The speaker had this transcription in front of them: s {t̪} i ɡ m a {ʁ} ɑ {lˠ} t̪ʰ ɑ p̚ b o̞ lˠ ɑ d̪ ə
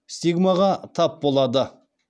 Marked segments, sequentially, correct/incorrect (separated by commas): correct, correct, incorrect